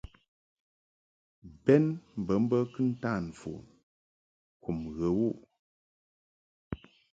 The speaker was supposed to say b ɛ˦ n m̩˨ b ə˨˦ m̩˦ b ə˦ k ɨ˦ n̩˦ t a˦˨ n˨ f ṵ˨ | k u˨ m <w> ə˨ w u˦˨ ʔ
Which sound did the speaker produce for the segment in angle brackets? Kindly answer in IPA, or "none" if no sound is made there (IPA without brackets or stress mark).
ɣ